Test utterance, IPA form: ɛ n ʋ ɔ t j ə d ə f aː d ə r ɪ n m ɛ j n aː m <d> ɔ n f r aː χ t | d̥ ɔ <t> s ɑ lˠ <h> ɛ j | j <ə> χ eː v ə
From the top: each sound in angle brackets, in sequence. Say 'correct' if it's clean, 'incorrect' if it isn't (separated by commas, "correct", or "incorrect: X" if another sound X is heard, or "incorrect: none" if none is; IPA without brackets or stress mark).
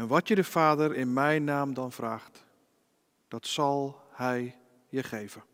correct, correct, correct, correct